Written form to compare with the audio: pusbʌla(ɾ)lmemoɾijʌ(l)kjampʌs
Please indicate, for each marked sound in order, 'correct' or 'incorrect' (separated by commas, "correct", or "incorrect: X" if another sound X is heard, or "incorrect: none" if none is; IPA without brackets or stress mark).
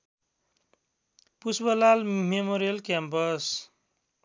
incorrect: none, correct